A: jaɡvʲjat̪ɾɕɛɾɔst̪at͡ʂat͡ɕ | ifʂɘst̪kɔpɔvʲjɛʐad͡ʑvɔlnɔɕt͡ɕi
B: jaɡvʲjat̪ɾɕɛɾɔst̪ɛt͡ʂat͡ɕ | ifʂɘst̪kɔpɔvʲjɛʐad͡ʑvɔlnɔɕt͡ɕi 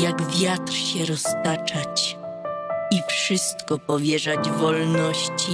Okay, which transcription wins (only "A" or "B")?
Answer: A